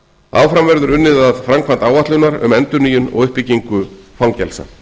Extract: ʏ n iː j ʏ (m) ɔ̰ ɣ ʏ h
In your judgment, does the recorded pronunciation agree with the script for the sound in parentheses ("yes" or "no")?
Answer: no